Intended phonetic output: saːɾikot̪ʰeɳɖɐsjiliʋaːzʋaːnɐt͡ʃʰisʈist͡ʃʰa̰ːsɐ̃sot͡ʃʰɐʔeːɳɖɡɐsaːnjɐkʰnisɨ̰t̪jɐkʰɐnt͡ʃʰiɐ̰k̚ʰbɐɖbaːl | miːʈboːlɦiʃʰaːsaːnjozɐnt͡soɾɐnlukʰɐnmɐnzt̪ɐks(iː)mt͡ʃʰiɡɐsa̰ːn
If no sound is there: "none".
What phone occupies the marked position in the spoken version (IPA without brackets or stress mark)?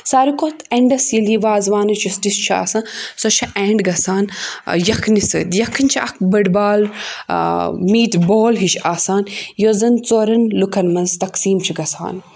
iː